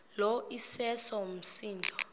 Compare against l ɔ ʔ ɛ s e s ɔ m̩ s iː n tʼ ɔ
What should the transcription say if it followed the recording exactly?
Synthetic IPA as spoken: l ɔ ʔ i s ɛ s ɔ m̩ s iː n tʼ ɔ